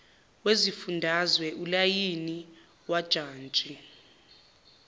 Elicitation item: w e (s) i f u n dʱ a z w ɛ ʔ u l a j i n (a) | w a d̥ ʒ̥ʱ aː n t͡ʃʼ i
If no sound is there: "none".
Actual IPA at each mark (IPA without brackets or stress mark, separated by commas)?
z, i